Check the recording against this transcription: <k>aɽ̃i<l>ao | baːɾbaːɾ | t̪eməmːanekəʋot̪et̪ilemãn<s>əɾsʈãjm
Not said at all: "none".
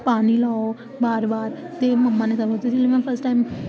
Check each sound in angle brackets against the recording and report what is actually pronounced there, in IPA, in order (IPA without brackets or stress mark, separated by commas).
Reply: p, l, f